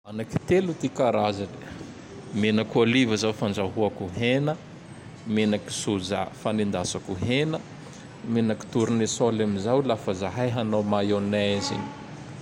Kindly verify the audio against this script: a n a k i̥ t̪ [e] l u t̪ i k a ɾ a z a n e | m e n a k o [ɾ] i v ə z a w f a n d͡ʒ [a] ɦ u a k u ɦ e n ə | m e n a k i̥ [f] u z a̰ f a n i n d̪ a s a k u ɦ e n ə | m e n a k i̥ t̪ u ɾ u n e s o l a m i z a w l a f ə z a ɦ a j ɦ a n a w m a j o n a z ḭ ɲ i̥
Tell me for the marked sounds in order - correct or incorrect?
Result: correct, incorrect: l, correct, incorrect: s

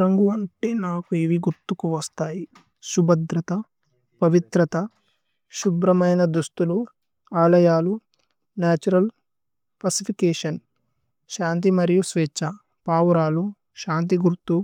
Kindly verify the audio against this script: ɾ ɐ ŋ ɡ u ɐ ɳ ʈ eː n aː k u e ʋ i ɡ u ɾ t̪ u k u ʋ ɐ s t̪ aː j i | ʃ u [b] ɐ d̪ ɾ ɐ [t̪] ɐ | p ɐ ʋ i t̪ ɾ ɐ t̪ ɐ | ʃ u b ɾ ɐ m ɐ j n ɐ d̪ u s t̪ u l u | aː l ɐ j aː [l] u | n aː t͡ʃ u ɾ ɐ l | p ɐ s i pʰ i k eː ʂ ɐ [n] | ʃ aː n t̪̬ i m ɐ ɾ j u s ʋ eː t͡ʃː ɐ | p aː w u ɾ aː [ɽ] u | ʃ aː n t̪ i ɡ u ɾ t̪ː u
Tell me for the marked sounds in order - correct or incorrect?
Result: correct, correct, correct, correct, incorrect: l

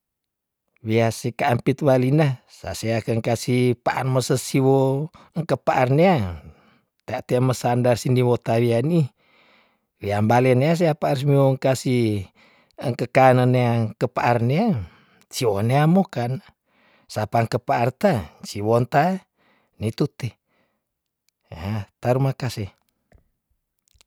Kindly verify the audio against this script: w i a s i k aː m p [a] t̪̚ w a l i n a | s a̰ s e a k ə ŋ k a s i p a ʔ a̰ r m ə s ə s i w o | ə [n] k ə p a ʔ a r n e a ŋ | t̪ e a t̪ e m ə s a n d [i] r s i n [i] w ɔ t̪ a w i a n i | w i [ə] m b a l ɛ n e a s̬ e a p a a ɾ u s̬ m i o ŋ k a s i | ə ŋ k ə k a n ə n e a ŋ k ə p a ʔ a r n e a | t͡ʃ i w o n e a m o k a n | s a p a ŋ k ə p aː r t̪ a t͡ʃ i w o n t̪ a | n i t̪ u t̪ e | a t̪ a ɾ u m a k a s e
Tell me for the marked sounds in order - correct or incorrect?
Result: incorrect: i, incorrect: ŋ, incorrect: a, correct, incorrect: a

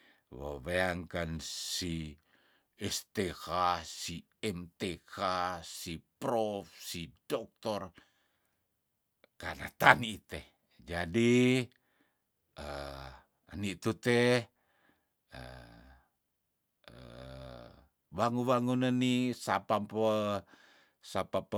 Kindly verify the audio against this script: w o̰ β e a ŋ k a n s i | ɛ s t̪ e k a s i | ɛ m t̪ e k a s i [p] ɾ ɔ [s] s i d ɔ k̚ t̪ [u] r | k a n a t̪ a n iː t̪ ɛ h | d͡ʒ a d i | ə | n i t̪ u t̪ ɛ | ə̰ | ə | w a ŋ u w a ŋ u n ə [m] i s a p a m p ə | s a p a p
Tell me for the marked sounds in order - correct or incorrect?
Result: correct, incorrect: f, incorrect: ɔ, incorrect: n

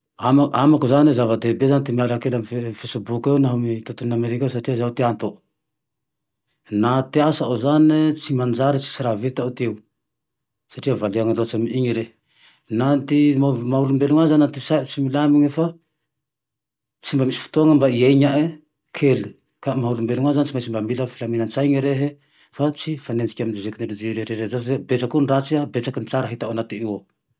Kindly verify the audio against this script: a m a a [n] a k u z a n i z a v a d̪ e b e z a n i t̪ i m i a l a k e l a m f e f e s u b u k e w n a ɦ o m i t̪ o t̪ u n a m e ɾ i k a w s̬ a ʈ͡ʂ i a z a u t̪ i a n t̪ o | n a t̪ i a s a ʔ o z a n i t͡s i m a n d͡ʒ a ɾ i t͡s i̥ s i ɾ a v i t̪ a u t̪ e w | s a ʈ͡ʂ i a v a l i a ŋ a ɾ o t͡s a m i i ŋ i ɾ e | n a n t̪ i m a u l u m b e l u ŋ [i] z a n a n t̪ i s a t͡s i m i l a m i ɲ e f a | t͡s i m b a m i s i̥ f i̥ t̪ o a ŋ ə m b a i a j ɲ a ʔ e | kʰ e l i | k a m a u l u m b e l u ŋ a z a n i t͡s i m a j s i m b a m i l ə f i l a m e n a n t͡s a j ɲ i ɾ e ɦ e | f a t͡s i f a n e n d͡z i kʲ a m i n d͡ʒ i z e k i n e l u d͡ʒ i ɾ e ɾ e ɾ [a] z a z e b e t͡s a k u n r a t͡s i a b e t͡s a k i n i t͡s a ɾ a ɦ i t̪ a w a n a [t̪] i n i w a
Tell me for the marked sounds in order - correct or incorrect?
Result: incorrect: m, incorrect: a, incorrect: e, correct

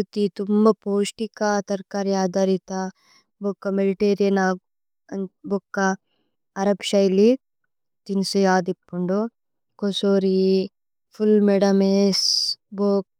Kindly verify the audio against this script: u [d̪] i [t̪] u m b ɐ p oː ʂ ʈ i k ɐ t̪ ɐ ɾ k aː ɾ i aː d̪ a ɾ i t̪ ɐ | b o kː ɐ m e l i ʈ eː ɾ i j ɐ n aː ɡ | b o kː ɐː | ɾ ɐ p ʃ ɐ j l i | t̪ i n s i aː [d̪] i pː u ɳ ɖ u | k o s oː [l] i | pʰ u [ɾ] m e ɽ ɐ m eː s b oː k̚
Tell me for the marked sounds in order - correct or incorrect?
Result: incorrect: t̪, correct, correct, incorrect: ɾ, incorrect: l

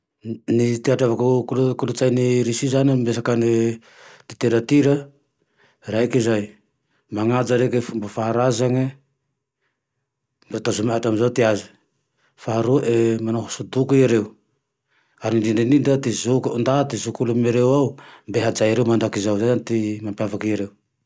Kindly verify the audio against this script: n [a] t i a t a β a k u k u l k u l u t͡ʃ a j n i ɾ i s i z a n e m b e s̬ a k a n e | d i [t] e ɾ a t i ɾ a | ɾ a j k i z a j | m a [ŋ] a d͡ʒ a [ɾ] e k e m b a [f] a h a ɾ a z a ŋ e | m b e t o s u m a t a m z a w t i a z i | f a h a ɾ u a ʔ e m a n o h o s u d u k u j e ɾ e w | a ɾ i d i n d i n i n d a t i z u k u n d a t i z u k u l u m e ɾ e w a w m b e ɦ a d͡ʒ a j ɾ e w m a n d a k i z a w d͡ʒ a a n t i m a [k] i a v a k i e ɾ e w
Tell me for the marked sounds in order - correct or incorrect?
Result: incorrect: i, correct, correct, correct, correct, incorrect: p

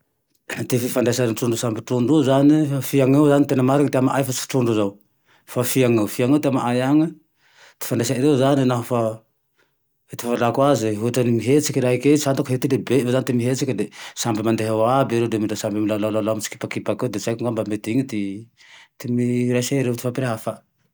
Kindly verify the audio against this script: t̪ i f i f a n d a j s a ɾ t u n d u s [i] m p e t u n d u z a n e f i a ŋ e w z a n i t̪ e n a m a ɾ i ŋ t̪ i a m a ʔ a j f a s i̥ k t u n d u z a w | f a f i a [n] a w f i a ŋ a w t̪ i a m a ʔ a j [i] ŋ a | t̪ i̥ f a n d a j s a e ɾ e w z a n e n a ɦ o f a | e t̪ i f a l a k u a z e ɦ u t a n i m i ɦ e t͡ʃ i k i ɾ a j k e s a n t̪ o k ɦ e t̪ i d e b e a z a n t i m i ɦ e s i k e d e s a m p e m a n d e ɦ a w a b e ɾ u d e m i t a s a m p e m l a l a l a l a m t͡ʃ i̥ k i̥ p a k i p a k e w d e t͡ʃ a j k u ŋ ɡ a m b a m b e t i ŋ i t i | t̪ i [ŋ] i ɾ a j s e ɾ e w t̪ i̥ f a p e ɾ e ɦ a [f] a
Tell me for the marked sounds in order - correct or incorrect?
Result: incorrect: a, incorrect: ŋ, incorrect: a, incorrect: m, correct

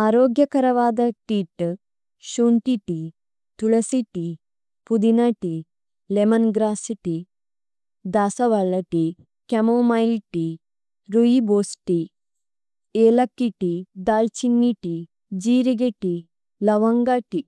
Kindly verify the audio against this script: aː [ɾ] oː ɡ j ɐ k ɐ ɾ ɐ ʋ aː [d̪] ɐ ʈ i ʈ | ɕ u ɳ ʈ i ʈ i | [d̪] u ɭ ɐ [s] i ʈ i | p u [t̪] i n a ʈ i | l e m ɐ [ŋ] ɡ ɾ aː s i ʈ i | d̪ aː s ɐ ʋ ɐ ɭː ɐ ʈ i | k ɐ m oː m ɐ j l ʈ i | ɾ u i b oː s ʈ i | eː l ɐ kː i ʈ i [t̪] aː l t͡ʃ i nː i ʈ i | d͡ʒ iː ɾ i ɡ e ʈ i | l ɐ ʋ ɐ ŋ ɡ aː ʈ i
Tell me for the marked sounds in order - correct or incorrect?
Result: correct, correct, incorrect: t̪, correct, incorrect: d̪, incorrect: n, incorrect: d̪

